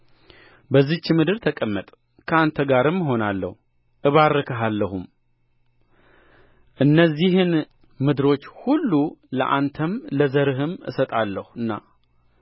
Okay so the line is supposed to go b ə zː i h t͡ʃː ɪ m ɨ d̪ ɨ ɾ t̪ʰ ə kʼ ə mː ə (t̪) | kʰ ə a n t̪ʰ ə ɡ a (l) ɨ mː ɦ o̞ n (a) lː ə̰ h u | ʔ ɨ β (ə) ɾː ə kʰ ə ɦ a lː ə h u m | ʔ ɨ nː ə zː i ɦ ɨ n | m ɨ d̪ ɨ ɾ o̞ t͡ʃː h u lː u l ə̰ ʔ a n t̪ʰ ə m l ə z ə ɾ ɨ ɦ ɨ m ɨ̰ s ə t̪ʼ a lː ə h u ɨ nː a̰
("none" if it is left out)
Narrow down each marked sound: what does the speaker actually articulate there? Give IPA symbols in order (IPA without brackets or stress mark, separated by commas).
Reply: t̪ʼ, ɾ, a, a